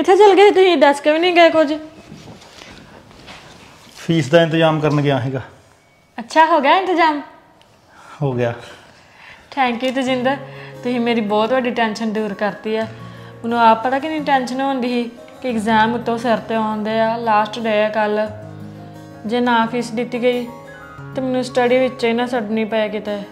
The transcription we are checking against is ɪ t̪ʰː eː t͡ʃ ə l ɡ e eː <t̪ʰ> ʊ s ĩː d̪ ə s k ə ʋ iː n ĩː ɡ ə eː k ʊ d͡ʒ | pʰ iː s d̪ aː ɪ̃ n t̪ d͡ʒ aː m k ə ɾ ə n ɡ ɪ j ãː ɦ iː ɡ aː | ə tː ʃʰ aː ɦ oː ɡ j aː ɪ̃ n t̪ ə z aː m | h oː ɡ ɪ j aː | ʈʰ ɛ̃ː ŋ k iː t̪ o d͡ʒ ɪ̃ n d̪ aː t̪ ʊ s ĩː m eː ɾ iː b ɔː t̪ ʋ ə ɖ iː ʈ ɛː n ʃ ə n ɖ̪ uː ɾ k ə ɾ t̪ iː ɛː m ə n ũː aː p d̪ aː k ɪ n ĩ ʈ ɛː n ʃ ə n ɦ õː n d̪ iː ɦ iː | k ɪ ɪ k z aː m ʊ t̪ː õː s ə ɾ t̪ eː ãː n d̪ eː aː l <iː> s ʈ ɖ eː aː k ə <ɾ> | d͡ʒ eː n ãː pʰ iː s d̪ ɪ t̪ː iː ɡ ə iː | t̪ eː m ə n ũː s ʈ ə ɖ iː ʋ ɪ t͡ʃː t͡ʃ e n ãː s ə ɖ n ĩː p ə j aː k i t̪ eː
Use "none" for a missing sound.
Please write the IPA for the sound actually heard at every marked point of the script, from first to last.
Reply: t̪, aː, l

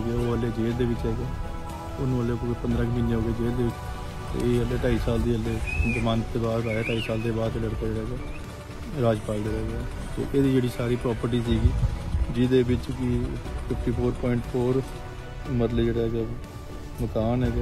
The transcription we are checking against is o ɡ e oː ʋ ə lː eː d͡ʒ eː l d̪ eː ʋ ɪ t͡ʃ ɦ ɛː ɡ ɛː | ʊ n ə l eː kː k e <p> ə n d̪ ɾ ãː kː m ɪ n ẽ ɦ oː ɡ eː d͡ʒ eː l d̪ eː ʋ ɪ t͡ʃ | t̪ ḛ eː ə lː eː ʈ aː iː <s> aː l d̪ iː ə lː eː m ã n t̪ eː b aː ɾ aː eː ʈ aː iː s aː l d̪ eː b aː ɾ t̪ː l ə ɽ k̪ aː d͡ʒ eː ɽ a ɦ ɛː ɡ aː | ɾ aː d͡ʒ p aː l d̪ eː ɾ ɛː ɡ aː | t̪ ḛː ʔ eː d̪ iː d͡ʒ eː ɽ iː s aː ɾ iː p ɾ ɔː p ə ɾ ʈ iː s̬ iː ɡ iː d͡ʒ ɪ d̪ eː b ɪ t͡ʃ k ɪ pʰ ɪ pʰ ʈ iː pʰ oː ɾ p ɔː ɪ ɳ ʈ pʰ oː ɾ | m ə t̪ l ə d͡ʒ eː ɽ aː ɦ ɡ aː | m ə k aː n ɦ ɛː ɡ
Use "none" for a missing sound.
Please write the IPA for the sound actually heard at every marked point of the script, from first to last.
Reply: p, s

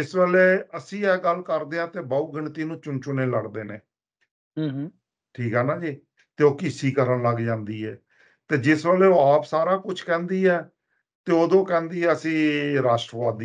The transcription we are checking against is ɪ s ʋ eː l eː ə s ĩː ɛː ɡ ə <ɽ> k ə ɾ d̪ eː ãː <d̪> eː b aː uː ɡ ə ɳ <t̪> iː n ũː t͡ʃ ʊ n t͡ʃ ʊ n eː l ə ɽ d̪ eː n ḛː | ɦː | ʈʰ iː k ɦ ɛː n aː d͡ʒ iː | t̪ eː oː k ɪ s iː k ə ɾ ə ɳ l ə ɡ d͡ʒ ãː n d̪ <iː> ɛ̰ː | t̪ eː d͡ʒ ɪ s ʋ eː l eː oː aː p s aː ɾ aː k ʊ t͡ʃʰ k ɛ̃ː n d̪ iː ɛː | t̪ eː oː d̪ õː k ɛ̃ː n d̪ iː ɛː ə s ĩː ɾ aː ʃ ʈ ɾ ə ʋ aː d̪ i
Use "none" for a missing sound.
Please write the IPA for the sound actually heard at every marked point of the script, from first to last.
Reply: l, t̪, t̪, iː

